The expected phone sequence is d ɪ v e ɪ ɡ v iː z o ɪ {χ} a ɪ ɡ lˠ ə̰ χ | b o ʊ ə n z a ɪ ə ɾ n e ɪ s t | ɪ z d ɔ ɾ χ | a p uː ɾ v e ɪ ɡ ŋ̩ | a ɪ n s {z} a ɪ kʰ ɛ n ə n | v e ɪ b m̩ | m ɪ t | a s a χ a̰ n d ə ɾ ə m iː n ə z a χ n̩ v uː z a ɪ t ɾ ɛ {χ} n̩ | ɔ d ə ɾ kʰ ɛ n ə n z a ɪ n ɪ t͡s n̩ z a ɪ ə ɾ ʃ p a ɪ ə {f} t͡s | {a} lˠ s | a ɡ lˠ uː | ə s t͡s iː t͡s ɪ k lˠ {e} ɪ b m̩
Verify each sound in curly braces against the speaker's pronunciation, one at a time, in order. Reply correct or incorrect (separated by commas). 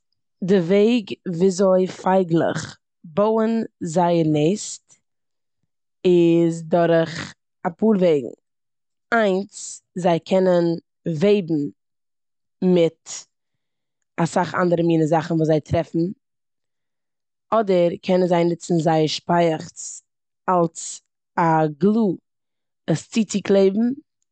incorrect, correct, incorrect, incorrect, correct, correct